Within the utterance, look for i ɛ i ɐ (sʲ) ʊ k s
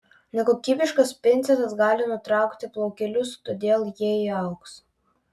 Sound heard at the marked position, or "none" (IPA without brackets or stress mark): none